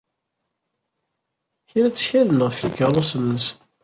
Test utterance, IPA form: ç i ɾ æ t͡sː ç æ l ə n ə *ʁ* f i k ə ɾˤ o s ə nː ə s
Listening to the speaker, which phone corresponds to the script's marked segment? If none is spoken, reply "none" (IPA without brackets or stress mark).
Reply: ʁ